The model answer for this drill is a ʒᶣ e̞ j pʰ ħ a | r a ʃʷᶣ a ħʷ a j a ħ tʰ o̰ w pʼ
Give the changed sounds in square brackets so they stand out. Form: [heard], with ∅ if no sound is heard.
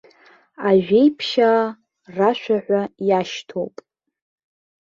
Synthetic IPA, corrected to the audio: a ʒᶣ e̞ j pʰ [ʃ] a | r a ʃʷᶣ a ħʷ a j a [ʃ] tʰ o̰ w pʼ

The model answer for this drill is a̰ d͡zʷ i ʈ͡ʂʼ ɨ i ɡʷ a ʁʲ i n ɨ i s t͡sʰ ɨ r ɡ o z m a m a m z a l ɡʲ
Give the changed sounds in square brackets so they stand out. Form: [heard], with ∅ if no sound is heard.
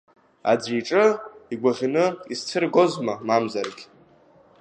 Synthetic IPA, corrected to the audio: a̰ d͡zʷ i ʈ͡ʂʼ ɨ i ɡʷ a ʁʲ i n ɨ i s t͡sʰ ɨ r ɡ o z m a m a m z a [r] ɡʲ

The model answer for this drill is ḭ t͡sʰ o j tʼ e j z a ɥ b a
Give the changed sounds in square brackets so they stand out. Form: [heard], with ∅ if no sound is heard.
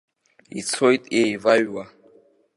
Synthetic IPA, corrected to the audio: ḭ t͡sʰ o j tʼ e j [v] a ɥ [w] a

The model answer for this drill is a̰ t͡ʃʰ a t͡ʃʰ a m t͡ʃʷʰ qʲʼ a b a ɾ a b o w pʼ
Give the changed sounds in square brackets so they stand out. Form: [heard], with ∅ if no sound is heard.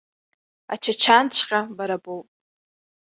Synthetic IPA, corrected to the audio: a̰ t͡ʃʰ a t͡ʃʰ a [n] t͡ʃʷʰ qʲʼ a b a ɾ a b o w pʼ

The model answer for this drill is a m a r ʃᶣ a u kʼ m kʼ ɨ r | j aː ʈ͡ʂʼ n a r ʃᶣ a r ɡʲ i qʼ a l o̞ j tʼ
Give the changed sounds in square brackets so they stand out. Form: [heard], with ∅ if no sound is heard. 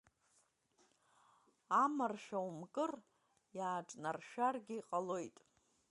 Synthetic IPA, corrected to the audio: a m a r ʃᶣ a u [∅] m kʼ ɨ r | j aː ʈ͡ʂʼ n a r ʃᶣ a r ɡʲ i qʼ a l o̞ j tʼ

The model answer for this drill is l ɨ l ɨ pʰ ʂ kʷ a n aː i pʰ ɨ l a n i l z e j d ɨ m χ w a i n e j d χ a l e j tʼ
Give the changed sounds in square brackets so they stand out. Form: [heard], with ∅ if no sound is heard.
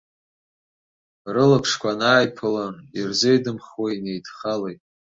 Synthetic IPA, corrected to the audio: [r] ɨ l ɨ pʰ ʂ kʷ a n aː [j] pʰ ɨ l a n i [r] z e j d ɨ m χ w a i n e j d χ a l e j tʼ

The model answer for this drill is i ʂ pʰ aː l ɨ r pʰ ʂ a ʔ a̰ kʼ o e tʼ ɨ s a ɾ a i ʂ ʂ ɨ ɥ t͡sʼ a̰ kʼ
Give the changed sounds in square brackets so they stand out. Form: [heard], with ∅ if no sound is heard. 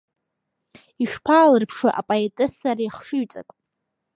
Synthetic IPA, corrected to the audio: i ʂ pʰ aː l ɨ r pʰ ʂ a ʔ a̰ [pʼ] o e tʼ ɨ s a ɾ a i [χ] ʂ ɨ ɥ t͡sʼ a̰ kʼ

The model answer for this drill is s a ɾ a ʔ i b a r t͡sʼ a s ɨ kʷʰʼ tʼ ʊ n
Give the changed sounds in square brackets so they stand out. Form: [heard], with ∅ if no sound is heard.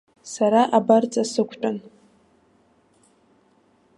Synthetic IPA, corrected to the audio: s a ɾ a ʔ [a] b a r t͡sʼ a s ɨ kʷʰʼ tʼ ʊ n

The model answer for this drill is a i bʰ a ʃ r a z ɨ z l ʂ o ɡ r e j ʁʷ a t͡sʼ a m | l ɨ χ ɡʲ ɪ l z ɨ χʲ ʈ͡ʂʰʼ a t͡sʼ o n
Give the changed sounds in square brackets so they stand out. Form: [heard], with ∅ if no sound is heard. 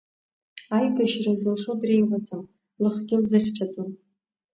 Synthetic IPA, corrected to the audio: a [j] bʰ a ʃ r a z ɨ [∅] l ʂ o [d] r e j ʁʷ a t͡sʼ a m | l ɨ χ ɡʲ ɪ l z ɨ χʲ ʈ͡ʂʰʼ a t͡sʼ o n

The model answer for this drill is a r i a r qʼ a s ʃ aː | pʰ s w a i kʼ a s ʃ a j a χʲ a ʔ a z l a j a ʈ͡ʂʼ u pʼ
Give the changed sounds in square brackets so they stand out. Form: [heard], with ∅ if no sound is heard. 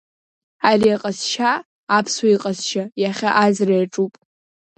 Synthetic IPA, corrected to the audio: a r i a [∅] qʼ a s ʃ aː | pʰ s w a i [qʼ] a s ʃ a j a χʲ a ʔ a z [r] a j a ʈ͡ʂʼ u pʼ

